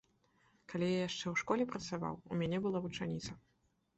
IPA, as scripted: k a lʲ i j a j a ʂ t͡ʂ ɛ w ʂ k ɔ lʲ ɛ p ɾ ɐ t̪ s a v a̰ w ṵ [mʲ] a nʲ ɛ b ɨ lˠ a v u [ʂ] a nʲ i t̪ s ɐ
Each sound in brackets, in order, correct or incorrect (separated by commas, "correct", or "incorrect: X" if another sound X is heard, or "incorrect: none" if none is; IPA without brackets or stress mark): correct, incorrect: t͡ʂ